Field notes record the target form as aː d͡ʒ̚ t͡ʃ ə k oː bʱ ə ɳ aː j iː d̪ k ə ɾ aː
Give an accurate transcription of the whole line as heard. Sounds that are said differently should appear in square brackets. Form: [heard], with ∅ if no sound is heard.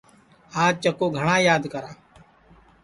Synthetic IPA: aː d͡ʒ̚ t͡ʃ ə k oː [ɡʱ] ə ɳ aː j [aː] d̪ k ə ɾ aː